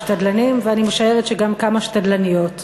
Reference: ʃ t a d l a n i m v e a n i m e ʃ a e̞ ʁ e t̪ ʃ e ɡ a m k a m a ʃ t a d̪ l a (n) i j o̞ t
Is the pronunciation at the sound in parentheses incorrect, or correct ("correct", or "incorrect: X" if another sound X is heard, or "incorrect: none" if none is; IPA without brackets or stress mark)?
correct